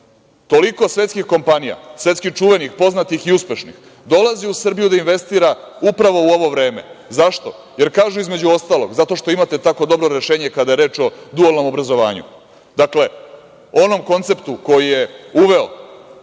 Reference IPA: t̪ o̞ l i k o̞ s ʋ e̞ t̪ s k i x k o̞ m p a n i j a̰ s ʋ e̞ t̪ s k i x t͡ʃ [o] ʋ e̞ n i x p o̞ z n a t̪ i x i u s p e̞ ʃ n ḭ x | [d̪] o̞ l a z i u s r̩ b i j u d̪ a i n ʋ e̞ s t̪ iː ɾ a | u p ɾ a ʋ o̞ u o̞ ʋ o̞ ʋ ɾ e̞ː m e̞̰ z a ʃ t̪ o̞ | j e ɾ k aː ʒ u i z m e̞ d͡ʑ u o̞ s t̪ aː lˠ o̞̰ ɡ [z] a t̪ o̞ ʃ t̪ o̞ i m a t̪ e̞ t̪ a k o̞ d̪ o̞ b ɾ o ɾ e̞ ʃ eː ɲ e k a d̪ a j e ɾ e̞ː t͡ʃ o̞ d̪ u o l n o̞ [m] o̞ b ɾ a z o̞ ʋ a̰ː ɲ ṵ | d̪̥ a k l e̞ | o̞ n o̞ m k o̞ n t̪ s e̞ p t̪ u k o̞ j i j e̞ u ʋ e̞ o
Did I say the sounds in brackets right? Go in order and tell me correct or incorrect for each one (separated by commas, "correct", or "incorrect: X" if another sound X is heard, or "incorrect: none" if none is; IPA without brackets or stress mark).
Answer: incorrect: u, correct, correct, correct